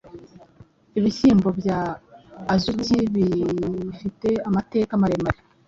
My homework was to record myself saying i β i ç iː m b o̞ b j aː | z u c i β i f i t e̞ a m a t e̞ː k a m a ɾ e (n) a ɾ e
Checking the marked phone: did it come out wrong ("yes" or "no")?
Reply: yes